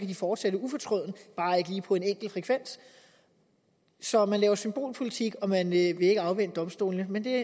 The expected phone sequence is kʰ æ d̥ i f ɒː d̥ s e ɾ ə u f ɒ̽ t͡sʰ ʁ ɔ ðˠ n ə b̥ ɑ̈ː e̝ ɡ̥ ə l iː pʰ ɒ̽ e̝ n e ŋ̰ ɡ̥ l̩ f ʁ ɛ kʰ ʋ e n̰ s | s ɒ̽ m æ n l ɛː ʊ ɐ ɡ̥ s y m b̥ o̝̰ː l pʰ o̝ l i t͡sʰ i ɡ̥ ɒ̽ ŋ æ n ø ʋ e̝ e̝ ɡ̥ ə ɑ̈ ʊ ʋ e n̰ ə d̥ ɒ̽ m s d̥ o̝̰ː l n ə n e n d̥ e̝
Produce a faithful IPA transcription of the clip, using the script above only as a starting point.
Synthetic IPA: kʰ æ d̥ i f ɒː d̥ s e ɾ ə u f ɒ̽ t͡sʰ ʁ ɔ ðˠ n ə b̥ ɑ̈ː e̝ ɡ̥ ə l iː pʰ ɒ̽ e̝ n e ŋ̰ ɡ̥ l̩ f ʁ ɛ kʰ ʋ e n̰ s | s ɒ̽ m æ n l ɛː ʊ ɐ s y m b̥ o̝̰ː l pʰ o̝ l i t͡sʰ i ɡ̥ ɒ̽ m æ n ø ʋ e̝ e̝ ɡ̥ ə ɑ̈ ʊ ʋ e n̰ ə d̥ ɒ̽ m s d̥ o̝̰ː l n ə m e n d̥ e̝